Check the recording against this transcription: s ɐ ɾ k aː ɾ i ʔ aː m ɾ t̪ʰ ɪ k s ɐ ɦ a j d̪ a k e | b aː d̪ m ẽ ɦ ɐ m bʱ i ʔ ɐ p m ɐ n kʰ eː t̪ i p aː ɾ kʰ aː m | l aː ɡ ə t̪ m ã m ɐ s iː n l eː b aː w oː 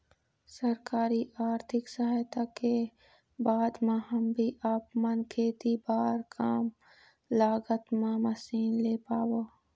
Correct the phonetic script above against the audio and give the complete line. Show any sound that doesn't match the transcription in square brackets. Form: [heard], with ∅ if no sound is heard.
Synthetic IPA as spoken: s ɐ ɾ k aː ɾ i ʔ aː [∅] ɾ t̪ʰ ɪ k s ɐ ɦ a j [t̪] a k e | b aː d̪ m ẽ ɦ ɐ m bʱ i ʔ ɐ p m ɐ n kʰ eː t̪ i [b] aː ɾ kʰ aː m | l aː ɡ ə t̪ m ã m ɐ s iː n l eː [p] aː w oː